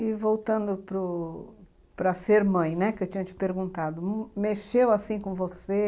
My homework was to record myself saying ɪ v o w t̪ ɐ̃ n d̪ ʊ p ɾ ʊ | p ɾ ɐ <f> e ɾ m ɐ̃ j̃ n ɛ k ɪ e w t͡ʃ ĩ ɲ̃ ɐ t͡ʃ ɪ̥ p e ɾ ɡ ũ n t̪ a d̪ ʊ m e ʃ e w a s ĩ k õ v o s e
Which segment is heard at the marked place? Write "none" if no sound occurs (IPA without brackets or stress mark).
s